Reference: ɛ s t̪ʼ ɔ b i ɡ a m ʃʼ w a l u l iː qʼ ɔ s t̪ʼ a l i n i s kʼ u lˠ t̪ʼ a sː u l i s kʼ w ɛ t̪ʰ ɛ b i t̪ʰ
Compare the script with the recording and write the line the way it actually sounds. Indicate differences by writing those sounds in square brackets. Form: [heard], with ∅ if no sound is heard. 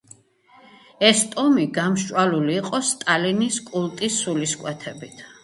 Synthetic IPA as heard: ɛ s t̪ʼ ɔ [m] i ɡ a m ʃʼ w a l u l iː qʼ ɔ s t̪ʼ a l i n i s kʼ u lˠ t̪ʼ [i] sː u l i s kʼ w ɛ t̪ʰ ɛ b i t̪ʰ